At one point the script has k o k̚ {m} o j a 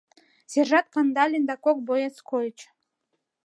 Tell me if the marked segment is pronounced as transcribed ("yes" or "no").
no